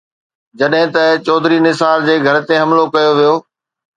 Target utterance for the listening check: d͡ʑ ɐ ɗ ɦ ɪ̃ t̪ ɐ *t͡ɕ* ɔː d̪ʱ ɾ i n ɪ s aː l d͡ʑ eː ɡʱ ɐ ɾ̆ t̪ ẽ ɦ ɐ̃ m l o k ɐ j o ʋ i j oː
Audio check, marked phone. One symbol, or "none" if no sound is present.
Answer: t͡ɕ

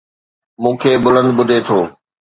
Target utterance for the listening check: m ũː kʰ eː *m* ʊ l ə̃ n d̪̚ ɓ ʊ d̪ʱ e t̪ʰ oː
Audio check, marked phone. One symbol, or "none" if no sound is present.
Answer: b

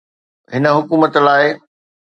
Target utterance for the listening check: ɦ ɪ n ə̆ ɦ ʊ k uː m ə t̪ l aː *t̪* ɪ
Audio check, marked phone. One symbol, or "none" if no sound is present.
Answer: none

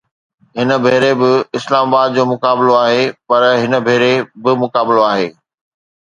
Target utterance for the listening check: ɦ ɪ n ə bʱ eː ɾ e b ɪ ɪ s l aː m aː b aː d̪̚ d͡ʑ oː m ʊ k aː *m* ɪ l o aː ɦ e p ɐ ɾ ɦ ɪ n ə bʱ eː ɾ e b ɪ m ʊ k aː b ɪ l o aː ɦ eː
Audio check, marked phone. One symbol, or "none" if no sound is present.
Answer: b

